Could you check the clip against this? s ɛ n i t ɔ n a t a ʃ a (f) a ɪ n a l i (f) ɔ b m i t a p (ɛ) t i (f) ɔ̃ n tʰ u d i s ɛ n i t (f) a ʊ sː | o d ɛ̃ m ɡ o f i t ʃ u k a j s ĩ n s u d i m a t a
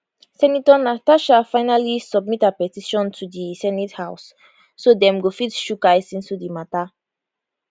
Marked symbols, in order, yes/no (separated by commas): yes, no, yes, no, no